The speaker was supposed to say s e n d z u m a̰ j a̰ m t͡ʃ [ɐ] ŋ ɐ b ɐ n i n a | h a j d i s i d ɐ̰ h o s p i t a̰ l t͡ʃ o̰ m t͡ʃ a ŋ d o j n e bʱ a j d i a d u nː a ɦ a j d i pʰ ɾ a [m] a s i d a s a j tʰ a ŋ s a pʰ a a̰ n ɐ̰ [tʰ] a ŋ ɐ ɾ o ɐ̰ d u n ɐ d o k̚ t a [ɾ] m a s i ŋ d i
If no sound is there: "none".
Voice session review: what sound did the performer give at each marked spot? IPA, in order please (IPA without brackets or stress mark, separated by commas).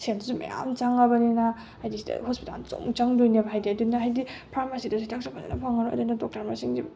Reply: a, m, pʰ, ɾ